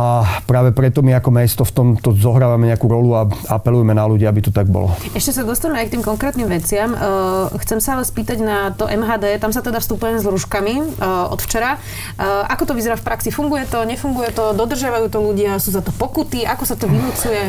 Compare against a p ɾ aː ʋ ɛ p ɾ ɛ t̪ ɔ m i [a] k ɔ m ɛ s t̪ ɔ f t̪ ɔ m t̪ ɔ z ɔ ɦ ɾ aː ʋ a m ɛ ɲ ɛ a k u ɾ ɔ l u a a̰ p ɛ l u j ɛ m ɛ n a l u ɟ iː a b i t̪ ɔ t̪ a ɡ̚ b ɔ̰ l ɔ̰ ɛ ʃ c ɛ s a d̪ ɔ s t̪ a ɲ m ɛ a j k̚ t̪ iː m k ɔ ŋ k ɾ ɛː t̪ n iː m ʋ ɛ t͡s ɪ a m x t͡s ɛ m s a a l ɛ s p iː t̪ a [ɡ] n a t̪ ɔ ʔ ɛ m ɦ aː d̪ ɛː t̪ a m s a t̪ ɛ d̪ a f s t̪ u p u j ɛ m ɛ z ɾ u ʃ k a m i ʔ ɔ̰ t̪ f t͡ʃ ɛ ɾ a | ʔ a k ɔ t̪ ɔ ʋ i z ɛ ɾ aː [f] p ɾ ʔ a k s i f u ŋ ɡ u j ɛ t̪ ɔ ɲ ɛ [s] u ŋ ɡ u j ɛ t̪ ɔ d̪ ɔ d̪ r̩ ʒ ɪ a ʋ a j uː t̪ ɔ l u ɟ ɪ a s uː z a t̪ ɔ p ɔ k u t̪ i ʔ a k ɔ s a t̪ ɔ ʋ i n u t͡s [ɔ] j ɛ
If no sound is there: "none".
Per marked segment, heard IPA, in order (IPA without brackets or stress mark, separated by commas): a, ɟ, f, f, u